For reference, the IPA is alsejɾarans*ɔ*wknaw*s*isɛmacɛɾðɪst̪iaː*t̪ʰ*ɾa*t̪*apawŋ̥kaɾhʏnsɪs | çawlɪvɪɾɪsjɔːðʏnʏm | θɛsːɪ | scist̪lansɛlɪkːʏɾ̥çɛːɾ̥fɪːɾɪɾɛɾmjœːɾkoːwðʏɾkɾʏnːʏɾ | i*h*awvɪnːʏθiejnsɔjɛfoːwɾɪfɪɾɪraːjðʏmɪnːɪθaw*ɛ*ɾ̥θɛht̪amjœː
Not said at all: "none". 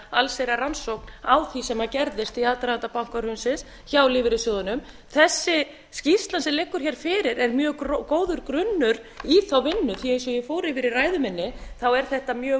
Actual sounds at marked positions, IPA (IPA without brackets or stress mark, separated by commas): o, θ, t̪, t̪, θ, ɛ